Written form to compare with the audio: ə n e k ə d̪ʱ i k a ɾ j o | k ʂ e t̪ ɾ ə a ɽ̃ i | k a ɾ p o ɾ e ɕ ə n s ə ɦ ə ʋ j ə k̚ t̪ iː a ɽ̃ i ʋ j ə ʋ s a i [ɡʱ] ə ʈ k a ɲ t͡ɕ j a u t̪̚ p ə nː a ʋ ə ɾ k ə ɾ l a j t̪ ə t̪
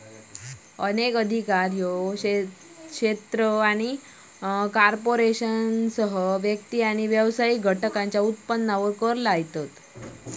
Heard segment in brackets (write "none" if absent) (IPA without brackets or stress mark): ɡʱ